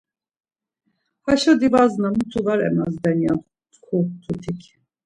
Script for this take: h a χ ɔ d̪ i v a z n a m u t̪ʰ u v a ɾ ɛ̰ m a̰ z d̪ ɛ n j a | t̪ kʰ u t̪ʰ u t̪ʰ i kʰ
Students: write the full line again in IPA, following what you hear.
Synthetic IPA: h a ʃ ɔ d̪ i v a z n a m u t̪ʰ u v a ɾ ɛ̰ m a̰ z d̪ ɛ n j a | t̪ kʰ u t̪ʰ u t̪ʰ i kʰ